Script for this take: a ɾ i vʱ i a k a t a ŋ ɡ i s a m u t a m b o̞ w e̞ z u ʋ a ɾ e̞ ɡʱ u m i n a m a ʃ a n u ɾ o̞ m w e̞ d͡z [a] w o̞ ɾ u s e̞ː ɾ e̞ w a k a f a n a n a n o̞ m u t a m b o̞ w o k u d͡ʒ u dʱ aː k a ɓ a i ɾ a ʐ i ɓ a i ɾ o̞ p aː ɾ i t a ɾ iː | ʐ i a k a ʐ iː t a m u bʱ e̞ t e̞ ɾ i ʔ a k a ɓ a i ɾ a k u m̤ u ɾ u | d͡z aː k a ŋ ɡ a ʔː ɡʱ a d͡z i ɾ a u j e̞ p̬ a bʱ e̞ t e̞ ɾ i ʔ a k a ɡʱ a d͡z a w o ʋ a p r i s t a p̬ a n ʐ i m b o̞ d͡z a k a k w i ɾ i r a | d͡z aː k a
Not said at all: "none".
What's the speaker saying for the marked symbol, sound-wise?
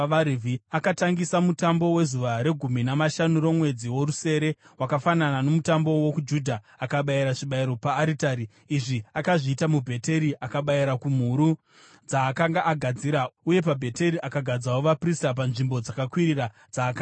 i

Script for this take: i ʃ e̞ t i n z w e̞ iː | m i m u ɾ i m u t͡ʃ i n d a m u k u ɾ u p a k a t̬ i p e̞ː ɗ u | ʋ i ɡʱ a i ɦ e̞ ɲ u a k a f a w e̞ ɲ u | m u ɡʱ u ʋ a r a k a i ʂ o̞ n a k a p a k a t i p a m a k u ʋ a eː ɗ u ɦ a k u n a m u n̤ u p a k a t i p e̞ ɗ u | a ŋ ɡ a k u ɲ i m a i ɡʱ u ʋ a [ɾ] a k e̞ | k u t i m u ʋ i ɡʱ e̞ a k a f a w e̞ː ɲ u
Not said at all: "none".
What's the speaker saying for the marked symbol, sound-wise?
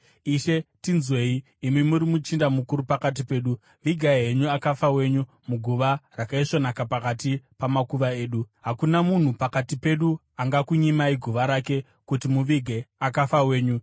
ɾ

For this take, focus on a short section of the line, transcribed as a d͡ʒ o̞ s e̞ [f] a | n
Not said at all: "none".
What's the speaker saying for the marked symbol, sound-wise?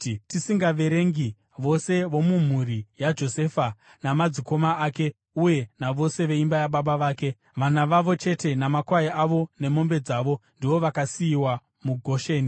f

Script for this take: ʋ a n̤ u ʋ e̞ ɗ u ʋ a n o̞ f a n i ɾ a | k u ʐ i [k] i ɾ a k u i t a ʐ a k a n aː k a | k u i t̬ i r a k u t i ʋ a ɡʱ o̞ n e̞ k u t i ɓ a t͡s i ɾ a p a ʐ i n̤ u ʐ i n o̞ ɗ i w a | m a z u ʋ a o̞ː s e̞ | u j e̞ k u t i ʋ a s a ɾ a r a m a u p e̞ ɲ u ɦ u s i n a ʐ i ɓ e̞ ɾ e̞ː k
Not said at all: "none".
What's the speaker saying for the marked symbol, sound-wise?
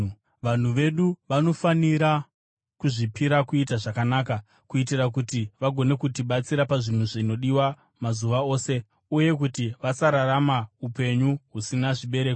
p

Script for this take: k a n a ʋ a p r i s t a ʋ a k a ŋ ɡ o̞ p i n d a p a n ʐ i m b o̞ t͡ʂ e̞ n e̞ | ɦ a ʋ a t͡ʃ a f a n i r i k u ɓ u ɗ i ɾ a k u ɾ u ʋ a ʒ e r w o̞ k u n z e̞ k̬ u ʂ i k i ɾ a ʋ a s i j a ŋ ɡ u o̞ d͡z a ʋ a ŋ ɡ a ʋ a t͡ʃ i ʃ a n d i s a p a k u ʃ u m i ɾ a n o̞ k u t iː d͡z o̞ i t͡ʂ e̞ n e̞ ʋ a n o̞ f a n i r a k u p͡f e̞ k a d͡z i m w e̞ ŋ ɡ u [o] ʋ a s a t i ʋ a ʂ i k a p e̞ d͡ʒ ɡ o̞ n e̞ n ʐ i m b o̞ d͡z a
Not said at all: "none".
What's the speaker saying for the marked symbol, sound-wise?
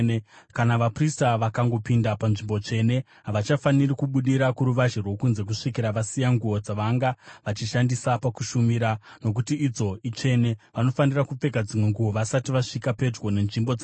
o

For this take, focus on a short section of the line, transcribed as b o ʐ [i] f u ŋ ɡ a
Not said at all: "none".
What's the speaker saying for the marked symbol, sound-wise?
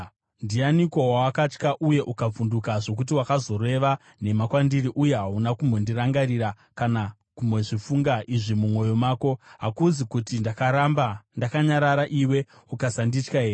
i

